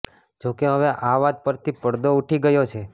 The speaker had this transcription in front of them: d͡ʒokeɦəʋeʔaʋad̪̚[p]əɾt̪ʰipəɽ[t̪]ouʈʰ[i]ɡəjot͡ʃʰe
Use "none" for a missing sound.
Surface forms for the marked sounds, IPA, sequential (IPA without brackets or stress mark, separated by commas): p, d̪, i